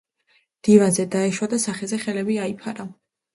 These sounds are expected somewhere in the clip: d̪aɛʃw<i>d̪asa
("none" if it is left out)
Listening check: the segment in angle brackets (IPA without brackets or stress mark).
a